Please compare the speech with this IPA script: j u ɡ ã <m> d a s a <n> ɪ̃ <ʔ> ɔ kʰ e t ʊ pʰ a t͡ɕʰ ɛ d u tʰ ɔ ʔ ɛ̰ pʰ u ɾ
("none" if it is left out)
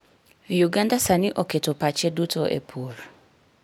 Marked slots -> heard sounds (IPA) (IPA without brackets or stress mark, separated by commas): n, n, ʔ